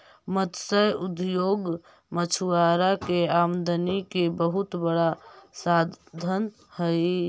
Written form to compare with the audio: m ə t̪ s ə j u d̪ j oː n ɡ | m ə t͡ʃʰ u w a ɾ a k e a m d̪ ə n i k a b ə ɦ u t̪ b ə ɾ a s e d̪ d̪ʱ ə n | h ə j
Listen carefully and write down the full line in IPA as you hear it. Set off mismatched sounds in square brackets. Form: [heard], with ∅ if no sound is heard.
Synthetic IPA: m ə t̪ s ə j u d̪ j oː [∅] ɡ | m ə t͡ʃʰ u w a ɾ a k e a m d̪ ə n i k [e] b ə ɦ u t̪ b ə [ɽ] a s [a] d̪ d̪ʱ ə n | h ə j